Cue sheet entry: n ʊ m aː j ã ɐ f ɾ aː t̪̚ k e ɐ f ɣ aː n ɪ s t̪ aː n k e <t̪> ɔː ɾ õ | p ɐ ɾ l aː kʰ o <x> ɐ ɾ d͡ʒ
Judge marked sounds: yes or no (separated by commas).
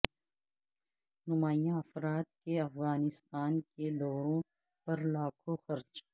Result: no, yes